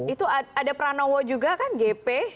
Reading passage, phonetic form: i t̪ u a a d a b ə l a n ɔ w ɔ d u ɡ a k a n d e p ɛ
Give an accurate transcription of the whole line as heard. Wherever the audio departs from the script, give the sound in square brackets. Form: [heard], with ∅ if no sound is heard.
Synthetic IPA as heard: i t̪ u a a d a [p] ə [ɾ] a n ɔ w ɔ [d͡ʒ] u ɡ a k a n [ɡ] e p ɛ